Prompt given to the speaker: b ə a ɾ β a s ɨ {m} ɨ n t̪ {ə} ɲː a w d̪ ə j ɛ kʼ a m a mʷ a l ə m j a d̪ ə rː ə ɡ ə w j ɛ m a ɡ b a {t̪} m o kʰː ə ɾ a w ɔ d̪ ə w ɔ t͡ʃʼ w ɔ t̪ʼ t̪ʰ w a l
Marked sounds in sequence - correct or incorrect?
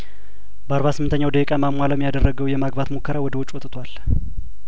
correct, correct, correct

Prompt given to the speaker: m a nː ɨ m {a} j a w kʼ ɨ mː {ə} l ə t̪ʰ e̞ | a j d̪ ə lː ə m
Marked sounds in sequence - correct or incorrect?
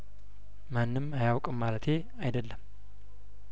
correct, incorrect

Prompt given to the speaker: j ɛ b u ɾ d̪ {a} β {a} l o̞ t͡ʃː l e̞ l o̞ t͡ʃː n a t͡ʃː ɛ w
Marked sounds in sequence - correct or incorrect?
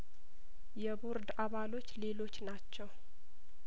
correct, correct

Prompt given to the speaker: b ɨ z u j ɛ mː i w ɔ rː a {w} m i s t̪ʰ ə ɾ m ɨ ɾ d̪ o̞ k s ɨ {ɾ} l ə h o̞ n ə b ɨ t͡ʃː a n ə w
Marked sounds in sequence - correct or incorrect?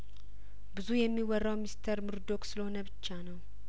correct, incorrect

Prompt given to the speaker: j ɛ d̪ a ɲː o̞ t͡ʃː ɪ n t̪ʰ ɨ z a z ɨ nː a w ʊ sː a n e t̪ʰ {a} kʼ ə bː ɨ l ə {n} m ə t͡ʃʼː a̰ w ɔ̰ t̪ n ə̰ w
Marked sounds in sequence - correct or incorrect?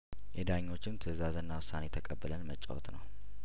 incorrect, correct

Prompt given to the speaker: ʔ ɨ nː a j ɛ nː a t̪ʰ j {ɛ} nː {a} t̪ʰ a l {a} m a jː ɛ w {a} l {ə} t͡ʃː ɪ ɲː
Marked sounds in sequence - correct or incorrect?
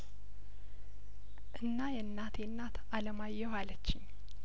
correct, correct, incorrect, correct, correct

